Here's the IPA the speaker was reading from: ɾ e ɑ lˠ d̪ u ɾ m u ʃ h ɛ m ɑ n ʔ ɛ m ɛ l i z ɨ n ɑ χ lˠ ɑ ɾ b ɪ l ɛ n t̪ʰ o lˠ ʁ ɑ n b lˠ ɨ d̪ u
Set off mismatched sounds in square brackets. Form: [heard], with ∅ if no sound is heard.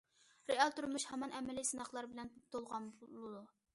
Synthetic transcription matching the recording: ɾ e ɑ lˠ [t̪] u ɾ m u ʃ h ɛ m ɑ n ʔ ɛ m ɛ l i [s] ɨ n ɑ χ lˠ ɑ ɾ b ɪ l ɛ n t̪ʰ o lˠ ʁ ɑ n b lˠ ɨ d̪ u